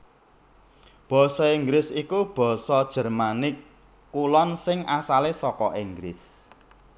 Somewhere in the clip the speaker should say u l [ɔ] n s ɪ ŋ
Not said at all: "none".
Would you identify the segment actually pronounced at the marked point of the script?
ɔ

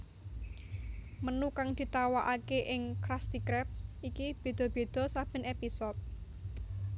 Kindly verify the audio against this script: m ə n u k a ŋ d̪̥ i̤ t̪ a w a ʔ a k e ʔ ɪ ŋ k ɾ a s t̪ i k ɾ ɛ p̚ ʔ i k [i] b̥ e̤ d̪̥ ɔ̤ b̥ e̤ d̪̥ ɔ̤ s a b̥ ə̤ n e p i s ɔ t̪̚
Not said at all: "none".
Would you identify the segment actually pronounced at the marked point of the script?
i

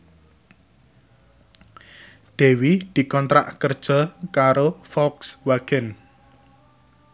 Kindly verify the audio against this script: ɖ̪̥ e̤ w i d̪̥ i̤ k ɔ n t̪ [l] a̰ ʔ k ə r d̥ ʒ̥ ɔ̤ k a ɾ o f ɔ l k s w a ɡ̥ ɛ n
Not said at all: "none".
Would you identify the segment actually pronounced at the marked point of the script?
ɾ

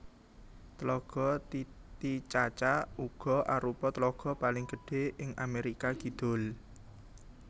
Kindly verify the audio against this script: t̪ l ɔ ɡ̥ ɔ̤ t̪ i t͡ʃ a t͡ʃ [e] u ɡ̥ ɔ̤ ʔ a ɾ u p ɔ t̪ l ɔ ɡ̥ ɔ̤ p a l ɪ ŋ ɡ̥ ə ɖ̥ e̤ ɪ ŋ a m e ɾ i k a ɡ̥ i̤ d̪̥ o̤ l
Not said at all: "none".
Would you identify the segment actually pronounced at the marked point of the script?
a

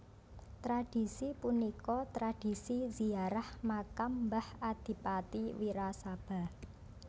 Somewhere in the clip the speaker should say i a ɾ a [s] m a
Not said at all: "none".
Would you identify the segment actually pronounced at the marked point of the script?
h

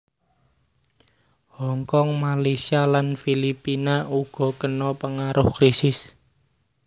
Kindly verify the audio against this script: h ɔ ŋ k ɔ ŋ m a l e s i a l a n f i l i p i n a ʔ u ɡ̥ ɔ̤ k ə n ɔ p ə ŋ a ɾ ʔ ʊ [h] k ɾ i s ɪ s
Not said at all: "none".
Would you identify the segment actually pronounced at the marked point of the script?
h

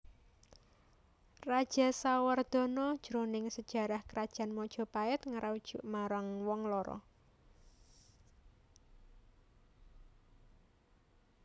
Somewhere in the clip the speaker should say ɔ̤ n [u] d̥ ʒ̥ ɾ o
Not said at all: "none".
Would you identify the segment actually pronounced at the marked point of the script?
ɔ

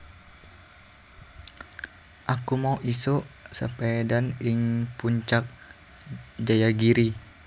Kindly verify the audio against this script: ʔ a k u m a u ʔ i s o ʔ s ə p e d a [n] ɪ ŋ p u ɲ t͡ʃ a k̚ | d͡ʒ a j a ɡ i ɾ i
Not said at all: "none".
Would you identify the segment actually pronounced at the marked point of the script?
n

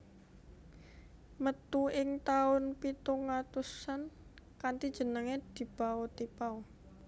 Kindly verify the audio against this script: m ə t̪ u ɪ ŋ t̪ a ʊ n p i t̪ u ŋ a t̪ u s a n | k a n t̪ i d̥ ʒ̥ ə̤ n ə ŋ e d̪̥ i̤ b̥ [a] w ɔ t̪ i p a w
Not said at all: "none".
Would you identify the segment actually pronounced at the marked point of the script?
a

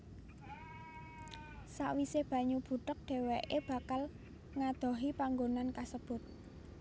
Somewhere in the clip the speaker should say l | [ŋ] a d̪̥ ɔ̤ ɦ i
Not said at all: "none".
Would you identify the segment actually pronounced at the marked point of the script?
ŋ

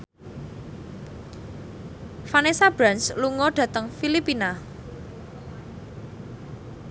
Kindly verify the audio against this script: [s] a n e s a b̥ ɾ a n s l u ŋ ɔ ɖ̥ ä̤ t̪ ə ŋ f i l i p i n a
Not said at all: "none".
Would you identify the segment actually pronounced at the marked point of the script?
f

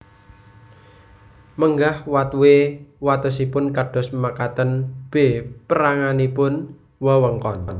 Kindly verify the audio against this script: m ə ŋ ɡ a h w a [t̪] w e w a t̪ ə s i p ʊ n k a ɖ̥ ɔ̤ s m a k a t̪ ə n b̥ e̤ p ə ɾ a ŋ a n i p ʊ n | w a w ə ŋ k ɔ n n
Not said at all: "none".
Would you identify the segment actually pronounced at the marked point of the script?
t̪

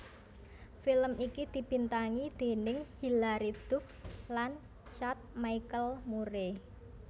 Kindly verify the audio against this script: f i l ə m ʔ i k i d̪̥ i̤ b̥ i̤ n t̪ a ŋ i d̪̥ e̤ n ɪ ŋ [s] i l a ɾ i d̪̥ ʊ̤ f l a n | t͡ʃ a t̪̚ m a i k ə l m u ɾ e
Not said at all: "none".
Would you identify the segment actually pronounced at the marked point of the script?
h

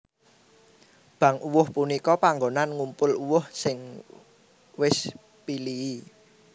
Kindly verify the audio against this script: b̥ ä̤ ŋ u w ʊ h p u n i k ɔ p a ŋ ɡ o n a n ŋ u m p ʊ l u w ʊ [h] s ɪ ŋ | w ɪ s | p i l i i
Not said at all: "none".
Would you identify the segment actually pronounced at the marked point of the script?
h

